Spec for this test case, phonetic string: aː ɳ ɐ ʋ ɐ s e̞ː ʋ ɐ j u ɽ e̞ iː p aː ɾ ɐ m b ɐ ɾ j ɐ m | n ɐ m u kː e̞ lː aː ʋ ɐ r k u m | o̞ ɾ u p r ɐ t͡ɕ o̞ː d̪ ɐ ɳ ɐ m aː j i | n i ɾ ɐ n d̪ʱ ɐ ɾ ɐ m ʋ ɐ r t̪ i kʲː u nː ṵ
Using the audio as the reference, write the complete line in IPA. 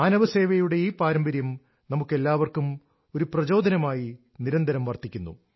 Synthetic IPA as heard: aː n ɐ ʋ ɐ s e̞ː ʋ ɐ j u ɽ e̞ iː p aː ɾ ɐ m b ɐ ɾ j ɐ m | n ɐ m u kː e̞ lː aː ʋ ɐ r k u m | o̞ ɾ u p r ɐ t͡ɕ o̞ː d̪ ɐ n ɐ m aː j i | n i ɾ ɐ n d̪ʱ ɐ ɾ ɐ m ʋ ɐ r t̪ i kʲː u nː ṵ

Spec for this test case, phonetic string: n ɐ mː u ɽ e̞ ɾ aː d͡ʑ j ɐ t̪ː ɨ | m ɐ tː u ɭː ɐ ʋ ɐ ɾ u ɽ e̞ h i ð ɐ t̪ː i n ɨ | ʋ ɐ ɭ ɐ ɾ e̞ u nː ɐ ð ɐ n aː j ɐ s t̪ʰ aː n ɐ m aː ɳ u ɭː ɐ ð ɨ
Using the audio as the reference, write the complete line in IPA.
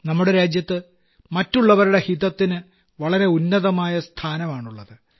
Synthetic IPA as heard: n ɐ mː u ɽ e̞ ɾ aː d͡ʑ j ɐ t̪ː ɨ | m ɐ tː u ɭː ɐ ʋ ɐ ɾ u ɽ e̞ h i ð ɐ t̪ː i n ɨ | ʋ ɐ ɭ ɐ ɾ e̞ u nː ɐ ð ɐ m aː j ɐ s t̪ʰ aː n ɐ m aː ɳ u ɭː ɐ ð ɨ

